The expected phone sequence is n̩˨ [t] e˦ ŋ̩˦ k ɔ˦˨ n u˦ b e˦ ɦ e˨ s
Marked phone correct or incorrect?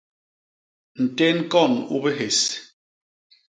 correct